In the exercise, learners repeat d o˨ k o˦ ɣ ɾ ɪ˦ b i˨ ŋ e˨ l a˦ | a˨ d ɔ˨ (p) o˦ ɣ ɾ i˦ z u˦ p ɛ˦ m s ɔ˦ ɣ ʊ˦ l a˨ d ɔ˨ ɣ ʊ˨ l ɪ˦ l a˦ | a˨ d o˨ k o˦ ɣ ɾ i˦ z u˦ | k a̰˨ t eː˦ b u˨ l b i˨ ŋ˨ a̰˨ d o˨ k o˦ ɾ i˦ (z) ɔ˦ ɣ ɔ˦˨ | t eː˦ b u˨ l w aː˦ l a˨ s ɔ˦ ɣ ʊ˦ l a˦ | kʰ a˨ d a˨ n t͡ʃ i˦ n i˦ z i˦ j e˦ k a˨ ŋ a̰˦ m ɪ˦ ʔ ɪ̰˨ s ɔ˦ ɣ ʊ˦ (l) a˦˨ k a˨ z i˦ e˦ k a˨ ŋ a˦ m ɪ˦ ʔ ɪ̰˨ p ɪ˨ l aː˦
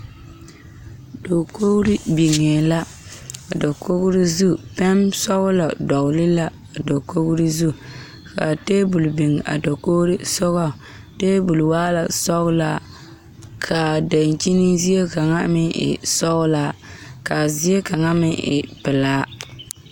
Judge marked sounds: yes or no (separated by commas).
no, no, yes